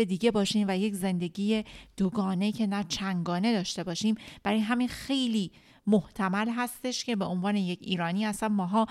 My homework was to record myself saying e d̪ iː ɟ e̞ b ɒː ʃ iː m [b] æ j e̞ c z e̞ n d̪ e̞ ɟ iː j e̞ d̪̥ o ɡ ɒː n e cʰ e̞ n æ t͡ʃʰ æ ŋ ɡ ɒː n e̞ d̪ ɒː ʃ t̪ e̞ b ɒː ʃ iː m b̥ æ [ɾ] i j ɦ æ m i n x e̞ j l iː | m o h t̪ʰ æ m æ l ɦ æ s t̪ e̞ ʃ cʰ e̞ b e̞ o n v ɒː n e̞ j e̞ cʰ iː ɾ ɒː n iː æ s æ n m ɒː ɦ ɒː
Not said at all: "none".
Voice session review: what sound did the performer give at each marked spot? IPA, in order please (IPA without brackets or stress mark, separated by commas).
v, ɾ